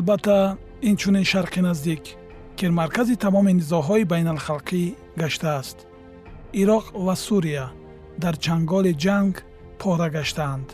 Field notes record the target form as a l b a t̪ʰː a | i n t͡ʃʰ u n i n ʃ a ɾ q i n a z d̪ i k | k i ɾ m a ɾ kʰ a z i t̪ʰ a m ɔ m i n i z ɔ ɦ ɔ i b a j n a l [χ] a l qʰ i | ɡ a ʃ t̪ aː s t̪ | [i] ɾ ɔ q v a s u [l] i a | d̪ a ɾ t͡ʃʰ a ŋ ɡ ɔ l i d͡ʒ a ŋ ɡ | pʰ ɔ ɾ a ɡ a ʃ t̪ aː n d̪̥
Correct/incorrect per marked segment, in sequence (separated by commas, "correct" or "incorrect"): correct, correct, incorrect